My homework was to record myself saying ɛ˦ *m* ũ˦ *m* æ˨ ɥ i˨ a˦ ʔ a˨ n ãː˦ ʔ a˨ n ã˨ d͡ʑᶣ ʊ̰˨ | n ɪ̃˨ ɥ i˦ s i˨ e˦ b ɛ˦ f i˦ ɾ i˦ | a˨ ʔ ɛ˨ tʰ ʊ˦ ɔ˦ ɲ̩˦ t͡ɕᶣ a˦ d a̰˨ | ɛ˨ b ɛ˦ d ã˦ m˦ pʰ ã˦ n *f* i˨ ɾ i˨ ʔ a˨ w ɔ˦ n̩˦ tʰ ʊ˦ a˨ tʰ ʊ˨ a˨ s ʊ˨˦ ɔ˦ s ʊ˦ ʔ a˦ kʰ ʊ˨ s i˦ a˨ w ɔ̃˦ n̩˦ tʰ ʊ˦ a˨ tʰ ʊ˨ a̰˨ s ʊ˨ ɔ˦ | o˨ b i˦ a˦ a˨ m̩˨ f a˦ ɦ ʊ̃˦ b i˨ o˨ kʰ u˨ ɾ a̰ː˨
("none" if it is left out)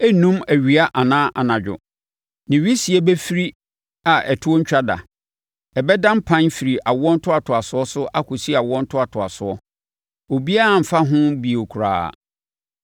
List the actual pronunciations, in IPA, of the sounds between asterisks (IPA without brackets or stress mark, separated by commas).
n, m, f